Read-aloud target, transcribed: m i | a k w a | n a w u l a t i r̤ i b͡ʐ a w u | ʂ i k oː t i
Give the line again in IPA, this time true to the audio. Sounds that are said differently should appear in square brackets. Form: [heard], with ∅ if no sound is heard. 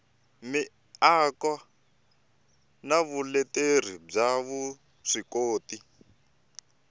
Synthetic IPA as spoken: m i | a k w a | n a [β] u l [ɛ] t [e] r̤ i b͡ʐ a [β] u | ʂ i k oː t i